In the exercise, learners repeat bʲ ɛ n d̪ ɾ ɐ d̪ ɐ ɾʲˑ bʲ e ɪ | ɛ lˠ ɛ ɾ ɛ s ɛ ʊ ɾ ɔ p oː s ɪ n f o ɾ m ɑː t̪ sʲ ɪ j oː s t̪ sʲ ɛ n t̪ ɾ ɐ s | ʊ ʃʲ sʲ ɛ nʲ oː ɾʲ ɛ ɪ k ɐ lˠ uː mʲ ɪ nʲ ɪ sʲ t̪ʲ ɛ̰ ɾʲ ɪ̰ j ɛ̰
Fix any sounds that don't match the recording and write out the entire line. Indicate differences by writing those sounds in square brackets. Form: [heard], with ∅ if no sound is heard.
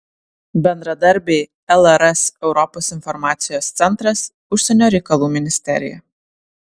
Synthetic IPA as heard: bʲ ɛ n d̪ ɾ ɐ d̪ ɐ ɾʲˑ bʲ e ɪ | ɛ lˠ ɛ ɾ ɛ s ɛ ʊ ɾ ɔ p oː s ɪ n f [ɔ] ɾ m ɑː t̪ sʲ ɪ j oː s t̪ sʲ ɛ n t̪ ɾ ɐ s | ʊ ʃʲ sʲ ɛ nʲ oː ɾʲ ɛ ɪ k ɐ lˠ uː mʲ ɪ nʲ ɪ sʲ t̪ʲ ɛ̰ ɾʲ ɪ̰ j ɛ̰